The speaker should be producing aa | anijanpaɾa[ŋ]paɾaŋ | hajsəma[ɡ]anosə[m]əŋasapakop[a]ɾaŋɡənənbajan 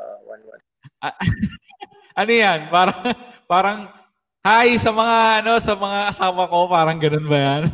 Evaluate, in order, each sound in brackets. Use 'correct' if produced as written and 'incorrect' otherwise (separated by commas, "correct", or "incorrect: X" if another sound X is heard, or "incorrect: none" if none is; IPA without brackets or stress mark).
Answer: correct, incorrect: ŋ, correct, correct